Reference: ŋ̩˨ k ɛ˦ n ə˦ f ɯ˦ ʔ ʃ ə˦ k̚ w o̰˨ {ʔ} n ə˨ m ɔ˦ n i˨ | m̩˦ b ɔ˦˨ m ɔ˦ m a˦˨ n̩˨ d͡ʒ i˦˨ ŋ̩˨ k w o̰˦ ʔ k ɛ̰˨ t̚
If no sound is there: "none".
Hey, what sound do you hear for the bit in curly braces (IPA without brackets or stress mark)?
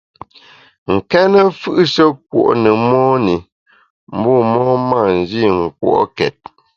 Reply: ʔ